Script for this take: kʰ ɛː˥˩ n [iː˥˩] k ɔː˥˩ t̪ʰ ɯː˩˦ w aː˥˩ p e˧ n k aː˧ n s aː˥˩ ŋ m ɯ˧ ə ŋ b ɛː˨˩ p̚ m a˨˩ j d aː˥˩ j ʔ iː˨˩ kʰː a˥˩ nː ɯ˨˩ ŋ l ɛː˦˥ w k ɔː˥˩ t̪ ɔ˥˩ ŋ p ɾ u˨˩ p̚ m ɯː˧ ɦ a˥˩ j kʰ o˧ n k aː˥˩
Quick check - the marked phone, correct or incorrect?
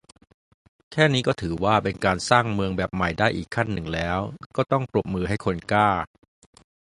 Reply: incorrect